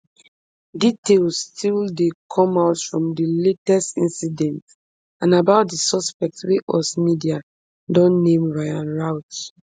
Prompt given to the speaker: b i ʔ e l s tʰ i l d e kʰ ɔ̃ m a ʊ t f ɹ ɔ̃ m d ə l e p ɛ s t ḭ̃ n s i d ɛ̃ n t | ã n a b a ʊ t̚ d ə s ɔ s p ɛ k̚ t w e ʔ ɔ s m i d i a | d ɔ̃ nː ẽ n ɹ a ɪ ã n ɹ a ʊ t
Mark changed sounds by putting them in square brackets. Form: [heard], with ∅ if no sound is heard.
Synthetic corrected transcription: [d] i [t] e l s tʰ i l d e kʰ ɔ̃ m a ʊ t f ɹ ɔ̃ m d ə l e [t] ɛ s t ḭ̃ n s i d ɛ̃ n t | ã n a b a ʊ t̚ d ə s ɔ s p ɛ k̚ t w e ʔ ɔ s m i d i a | d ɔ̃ nː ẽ [m] ɹ a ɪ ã n ɹ a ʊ t